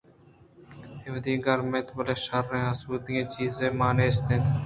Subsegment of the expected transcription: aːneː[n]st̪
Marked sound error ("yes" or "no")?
yes